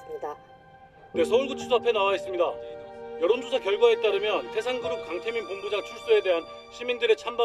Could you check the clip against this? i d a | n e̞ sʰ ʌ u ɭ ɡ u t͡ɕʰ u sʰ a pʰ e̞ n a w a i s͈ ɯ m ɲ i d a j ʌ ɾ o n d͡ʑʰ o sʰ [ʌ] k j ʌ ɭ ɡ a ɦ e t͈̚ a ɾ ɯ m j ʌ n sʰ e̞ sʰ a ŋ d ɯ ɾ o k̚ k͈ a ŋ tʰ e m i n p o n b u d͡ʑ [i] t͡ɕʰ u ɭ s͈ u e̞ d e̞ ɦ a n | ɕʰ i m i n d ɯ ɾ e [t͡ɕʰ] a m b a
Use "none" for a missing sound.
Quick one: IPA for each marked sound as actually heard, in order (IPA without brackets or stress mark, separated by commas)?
a, a, t͡ɕʰ